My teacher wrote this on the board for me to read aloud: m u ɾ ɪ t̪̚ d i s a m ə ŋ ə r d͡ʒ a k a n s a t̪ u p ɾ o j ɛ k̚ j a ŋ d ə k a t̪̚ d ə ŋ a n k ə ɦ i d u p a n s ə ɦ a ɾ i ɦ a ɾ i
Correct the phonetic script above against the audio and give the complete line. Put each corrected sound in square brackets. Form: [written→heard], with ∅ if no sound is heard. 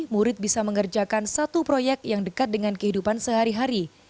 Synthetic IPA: m u ɾ ɪ t̪̚ [d→b] i s a m ə ŋ ə r d͡ʒ a k a n s a t̪ u p ɾ o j ɛ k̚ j a ŋ d ə k a t̪̚ d ə ŋ a n k ə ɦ i d u p a n s ə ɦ a ɾ i ɦ a ɾ i